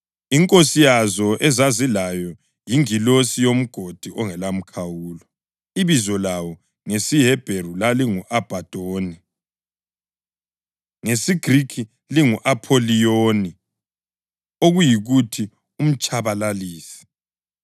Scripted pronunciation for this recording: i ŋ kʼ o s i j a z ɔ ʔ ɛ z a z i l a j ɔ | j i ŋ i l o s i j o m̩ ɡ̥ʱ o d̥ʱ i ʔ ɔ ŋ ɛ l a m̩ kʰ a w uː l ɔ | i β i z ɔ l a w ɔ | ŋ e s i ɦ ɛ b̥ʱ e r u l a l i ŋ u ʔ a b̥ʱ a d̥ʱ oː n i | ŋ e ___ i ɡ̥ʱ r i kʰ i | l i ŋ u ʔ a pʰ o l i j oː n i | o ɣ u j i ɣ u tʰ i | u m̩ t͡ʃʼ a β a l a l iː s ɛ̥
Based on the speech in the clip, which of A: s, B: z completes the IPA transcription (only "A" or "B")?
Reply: A